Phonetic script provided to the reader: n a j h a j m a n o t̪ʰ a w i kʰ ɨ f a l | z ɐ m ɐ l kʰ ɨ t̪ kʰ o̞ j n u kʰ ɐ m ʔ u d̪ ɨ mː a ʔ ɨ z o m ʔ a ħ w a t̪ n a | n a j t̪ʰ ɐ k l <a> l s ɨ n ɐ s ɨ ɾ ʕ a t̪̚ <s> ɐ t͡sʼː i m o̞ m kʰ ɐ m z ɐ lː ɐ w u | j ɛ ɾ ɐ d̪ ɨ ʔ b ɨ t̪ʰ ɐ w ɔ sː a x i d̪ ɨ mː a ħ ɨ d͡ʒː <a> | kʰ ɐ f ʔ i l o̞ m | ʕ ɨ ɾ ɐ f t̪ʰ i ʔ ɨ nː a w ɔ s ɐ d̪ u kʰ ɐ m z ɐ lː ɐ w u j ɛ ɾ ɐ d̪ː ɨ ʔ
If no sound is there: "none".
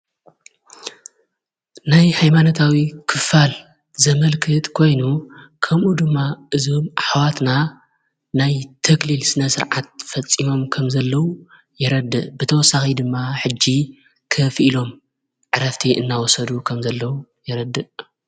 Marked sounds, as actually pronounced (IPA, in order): i, f, i

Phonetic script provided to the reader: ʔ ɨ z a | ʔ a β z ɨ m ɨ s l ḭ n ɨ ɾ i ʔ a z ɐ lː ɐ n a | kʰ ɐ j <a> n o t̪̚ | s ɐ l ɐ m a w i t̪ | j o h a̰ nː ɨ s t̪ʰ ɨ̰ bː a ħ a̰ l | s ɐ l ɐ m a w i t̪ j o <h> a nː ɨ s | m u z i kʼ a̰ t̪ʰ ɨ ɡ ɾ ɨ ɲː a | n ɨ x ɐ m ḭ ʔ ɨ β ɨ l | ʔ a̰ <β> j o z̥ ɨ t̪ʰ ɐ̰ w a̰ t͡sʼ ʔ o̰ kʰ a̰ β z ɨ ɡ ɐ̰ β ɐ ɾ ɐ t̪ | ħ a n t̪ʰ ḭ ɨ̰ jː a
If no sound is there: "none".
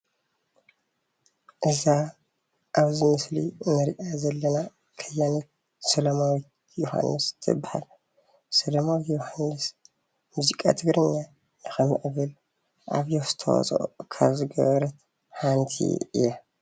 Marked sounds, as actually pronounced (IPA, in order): a, h, β

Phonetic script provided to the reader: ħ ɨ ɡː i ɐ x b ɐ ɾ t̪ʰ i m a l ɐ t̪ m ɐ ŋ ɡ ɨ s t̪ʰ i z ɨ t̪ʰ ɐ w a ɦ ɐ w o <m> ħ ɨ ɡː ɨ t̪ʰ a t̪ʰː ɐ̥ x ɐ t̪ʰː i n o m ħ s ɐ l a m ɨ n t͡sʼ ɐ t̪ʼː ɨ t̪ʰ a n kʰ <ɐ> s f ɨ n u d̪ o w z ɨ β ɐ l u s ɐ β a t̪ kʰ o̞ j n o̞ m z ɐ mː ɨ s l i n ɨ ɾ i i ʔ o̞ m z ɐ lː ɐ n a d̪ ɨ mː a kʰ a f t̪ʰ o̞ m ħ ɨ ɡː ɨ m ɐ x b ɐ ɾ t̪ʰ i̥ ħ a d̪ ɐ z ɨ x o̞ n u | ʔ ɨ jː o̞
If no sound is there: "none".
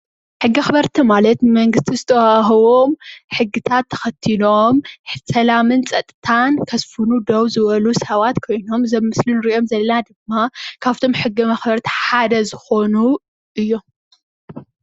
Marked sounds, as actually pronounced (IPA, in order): m, ɐ

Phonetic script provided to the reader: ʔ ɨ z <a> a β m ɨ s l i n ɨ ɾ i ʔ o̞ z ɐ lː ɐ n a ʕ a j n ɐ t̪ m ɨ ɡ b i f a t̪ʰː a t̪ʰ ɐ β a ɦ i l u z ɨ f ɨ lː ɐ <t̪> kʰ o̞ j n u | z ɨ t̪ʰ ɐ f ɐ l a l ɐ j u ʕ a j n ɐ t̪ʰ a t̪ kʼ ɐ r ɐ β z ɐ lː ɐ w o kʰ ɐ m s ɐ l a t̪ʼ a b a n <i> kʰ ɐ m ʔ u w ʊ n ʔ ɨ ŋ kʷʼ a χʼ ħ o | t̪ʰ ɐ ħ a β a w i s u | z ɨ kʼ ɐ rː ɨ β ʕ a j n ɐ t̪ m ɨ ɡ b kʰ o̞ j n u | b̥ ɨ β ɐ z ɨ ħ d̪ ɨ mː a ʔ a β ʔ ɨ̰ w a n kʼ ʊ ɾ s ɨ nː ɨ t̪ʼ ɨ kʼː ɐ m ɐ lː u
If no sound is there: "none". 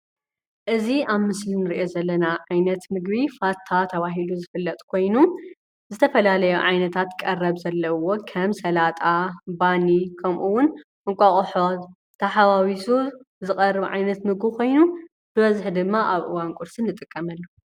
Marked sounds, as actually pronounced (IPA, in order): i, t̪ʼ, i

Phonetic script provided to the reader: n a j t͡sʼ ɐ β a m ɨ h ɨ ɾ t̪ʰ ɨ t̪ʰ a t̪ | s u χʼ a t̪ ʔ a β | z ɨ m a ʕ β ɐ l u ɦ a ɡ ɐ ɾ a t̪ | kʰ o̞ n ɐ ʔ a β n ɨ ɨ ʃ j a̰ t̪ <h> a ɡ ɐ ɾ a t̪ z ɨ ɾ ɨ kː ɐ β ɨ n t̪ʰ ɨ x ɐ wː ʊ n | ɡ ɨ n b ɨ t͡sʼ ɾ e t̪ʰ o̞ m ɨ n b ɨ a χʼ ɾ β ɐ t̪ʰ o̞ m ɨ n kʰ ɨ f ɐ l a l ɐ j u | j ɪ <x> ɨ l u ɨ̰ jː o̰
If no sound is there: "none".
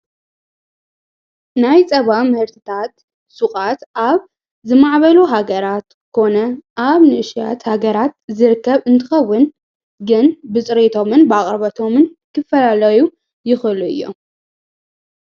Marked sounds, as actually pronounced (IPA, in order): h, x

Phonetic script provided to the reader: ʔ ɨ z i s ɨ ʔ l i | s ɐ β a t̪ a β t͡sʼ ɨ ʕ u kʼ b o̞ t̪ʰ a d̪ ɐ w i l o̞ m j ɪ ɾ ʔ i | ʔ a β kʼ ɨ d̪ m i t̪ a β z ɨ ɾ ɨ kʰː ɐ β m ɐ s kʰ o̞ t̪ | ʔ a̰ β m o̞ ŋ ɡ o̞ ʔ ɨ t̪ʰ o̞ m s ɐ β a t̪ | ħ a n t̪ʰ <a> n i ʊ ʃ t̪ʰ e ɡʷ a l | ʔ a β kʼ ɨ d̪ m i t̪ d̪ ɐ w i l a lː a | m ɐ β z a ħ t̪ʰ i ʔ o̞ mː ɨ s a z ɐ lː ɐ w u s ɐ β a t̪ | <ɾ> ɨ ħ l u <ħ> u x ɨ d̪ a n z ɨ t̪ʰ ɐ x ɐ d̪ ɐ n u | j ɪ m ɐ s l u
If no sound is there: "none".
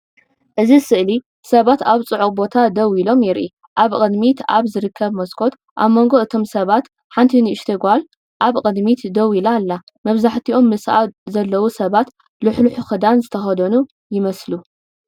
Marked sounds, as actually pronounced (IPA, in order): i, l, ħ

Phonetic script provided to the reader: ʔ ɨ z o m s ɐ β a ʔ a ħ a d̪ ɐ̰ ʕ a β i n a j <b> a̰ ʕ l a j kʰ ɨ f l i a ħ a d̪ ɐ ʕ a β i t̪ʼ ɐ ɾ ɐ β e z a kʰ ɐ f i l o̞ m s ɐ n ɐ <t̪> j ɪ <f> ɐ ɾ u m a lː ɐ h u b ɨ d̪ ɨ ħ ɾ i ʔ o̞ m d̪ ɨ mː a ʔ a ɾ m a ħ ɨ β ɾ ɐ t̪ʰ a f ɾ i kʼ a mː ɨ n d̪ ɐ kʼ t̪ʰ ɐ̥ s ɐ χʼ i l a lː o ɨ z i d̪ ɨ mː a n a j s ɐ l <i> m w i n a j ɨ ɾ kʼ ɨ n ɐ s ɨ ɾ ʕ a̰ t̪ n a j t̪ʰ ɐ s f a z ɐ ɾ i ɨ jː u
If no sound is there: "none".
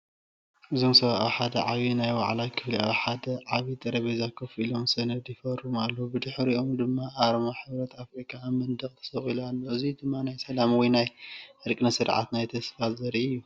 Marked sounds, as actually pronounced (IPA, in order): w, d̪, f, a

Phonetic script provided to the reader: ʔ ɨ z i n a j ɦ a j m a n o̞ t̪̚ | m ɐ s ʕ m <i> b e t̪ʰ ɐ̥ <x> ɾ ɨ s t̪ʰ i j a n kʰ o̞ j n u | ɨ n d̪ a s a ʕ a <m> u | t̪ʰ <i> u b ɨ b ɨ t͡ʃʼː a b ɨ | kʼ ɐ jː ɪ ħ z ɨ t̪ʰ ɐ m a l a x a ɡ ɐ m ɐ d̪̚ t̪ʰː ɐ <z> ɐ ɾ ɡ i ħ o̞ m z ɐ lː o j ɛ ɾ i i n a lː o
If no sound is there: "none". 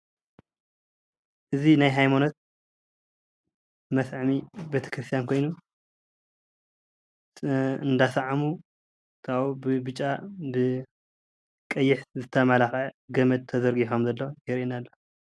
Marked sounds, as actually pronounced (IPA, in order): i, k, m, a, z

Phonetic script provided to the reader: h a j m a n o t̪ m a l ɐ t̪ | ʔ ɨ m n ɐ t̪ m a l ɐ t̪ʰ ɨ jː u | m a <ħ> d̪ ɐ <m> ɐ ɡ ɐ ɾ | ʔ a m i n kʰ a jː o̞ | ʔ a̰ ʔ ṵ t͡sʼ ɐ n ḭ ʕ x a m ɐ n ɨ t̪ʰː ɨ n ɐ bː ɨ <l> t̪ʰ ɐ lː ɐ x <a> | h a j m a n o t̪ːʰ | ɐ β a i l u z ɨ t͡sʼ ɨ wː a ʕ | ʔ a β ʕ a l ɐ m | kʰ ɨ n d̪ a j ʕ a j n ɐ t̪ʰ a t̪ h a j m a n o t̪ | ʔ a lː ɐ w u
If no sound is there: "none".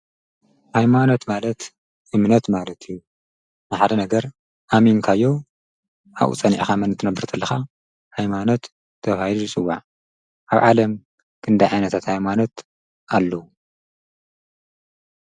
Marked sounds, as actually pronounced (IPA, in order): ħ, n, ɾ, a

